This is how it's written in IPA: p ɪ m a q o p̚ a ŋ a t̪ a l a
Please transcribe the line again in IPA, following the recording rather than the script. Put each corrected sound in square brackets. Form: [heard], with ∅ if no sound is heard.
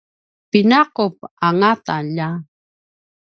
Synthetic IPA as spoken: p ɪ [n] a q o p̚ a ŋ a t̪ a [ʎ] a